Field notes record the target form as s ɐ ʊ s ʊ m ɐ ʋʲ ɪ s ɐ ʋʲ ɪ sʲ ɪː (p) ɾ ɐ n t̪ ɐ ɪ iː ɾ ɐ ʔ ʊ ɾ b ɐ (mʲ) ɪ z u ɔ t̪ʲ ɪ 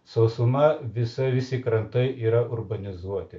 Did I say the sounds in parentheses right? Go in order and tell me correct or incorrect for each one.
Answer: incorrect: k, incorrect: nʲ

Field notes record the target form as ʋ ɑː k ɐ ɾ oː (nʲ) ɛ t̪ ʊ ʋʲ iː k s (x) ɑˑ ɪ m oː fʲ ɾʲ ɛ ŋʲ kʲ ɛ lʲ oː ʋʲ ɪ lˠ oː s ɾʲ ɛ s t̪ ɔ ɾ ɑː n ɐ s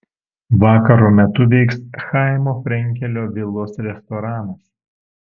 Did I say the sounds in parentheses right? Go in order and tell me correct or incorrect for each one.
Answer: incorrect: mʲ, correct

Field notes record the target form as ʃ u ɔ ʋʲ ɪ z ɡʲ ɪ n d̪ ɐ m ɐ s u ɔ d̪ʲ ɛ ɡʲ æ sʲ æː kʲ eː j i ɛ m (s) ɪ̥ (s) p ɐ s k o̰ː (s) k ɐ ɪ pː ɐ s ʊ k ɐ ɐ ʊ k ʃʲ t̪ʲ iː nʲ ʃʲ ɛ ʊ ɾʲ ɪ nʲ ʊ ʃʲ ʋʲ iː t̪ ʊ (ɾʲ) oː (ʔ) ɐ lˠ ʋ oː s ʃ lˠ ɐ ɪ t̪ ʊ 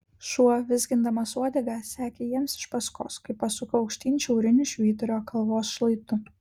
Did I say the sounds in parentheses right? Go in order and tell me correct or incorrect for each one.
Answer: correct, incorrect: ʃ, correct, correct, incorrect: k

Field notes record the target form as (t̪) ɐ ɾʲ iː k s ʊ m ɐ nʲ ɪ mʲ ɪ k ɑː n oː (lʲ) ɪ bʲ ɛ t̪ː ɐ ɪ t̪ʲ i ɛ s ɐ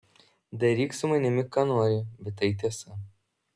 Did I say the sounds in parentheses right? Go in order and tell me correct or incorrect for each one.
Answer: incorrect: d̪, incorrect: ɾʲ

